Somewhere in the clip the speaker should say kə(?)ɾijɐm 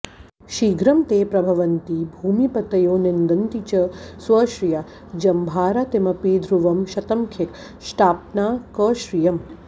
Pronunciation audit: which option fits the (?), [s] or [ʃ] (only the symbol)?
ʃ